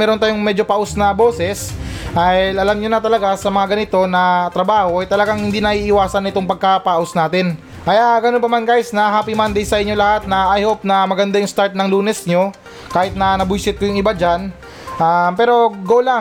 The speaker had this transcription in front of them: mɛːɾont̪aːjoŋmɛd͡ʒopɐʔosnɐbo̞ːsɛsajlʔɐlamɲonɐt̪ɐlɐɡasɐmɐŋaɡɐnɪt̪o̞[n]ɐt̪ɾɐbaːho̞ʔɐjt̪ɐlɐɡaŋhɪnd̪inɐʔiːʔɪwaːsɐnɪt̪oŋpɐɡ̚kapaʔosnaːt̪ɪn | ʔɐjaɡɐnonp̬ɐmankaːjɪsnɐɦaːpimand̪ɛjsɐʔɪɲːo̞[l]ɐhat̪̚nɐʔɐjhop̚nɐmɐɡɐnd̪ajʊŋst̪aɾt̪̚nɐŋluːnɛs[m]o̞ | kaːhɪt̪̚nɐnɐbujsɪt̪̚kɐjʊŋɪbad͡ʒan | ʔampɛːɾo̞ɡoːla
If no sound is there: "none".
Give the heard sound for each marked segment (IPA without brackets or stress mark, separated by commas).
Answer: n, l, ɲ